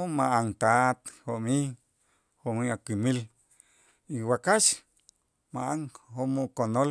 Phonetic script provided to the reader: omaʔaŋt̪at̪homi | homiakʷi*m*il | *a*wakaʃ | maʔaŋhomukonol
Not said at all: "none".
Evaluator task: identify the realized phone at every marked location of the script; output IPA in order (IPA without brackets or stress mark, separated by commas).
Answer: m, i